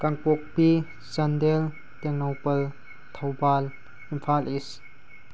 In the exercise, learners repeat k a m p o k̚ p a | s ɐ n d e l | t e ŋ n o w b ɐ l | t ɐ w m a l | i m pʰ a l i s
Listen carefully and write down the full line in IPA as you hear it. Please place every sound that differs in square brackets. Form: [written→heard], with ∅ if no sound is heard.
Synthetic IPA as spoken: k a [m→ŋ] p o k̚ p [a→i] | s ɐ n d e l | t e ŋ n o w [b→p] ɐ l | [t→tʰ] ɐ w [m→b] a l | i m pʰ a l i s